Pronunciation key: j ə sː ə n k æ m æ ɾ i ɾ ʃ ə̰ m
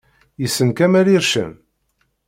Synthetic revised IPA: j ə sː ə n k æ m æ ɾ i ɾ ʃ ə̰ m